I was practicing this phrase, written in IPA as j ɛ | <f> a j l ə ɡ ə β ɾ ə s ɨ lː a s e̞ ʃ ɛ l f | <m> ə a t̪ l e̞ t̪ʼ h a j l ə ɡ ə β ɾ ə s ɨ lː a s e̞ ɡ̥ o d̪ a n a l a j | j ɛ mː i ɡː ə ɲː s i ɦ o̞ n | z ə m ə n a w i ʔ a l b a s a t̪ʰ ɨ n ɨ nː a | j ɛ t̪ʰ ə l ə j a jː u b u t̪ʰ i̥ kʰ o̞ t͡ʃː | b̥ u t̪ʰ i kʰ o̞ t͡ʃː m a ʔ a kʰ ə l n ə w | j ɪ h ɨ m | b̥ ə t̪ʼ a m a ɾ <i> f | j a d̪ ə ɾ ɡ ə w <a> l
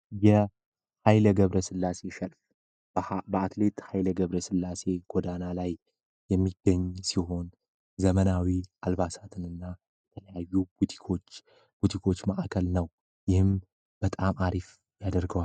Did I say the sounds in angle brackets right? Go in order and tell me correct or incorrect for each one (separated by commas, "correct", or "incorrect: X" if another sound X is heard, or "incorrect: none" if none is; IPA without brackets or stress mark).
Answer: incorrect: h, incorrect: b, correct, correct